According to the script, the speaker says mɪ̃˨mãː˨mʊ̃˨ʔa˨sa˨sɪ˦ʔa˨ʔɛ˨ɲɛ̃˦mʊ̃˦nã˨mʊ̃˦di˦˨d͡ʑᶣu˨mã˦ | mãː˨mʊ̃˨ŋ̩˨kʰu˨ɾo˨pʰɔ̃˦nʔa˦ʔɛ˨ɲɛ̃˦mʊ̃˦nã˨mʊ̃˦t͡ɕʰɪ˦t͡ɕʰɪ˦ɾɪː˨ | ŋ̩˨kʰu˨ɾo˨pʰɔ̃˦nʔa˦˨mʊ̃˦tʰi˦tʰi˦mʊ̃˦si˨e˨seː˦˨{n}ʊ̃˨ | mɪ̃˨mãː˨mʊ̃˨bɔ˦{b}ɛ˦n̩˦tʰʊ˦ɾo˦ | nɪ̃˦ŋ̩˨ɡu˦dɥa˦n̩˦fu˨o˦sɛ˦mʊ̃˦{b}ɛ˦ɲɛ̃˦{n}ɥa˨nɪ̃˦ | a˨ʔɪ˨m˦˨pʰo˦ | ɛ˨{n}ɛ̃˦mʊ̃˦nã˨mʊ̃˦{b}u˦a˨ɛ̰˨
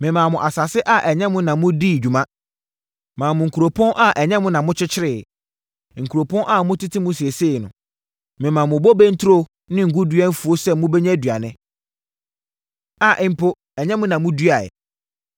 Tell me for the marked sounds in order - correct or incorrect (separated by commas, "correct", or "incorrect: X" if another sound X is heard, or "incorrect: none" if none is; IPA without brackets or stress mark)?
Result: correct, correct, correct, incorrect: d, incorrect: ɲ, incorrect: d